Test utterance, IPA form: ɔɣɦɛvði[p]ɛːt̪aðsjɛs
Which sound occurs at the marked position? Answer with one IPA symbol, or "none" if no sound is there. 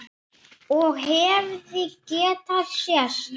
c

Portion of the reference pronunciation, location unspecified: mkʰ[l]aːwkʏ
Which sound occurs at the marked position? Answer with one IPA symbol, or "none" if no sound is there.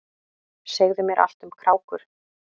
ɾ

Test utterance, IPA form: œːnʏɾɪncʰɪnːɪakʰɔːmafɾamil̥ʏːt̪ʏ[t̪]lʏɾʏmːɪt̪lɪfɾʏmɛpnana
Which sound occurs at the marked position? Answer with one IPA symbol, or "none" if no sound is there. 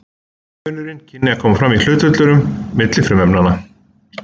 t̪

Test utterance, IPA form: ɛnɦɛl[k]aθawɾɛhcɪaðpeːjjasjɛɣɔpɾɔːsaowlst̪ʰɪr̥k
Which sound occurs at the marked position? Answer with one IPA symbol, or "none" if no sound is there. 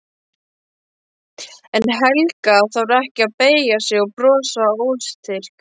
k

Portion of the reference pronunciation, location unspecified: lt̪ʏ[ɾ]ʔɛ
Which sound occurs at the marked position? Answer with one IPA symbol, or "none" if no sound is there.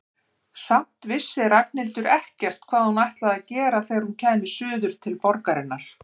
ɾ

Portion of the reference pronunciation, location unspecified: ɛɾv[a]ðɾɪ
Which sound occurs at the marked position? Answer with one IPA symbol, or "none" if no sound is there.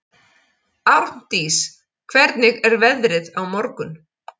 ɛ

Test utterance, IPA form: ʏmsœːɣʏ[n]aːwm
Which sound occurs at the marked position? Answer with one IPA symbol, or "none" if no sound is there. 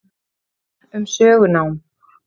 n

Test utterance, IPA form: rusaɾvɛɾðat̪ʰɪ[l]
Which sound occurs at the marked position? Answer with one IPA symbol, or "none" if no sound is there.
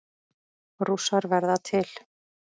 l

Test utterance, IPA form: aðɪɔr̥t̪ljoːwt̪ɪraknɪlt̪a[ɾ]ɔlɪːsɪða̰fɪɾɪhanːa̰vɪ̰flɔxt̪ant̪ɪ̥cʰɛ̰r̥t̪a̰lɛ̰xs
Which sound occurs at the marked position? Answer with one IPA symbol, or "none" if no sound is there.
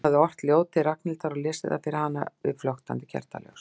ɾ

